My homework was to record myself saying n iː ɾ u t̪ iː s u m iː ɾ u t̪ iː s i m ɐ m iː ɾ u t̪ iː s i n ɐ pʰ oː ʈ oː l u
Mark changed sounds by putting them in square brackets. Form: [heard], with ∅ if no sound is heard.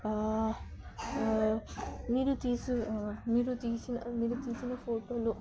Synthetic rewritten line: [m] iː ɾ u t̪ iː s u m iː ɾ u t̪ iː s i [n] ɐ m iː ɾ u t̪ iː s i n ɐ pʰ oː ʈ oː l u